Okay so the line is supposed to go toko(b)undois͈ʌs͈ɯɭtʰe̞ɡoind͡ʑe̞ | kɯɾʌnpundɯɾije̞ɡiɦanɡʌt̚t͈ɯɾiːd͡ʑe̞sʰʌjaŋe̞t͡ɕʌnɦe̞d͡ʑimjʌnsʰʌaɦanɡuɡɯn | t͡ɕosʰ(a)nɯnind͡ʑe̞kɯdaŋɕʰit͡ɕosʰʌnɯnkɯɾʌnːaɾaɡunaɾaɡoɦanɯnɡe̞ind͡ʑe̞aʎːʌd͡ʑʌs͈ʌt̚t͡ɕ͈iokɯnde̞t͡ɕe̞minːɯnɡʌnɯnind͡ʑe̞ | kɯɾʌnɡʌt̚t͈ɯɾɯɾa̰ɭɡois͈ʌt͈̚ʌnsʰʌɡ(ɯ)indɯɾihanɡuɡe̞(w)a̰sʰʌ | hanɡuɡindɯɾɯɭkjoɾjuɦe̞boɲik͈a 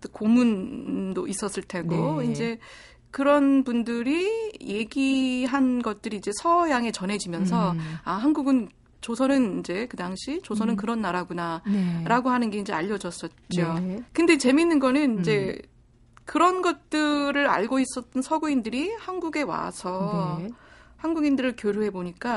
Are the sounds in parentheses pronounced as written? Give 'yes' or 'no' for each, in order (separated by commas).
no, no, no, yes